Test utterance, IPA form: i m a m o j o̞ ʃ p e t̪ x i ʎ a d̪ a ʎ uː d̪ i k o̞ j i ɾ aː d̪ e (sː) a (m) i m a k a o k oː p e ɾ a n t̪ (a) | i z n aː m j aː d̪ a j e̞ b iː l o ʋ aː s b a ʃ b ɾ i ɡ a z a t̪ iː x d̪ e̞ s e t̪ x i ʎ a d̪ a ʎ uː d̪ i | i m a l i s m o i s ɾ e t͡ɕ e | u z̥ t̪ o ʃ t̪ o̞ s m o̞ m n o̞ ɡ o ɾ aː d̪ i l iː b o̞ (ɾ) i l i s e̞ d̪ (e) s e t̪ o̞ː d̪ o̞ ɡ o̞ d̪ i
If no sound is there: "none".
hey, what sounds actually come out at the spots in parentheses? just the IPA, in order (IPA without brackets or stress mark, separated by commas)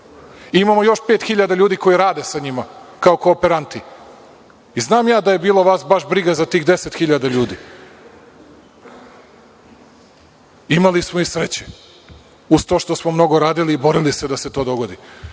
s, ɲ, i, ɾ, a